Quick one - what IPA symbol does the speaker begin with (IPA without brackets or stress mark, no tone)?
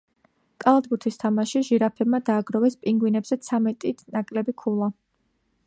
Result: kʼ